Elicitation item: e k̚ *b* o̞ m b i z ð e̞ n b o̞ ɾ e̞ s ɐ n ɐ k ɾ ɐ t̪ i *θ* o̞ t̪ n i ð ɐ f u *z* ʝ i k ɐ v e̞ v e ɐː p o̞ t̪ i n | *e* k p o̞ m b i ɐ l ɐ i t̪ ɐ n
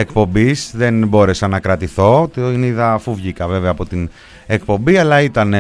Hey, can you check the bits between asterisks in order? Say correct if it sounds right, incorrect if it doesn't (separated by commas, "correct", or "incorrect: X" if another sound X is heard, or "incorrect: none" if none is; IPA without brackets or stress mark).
incorrect: p, correct, incorrect: v, correct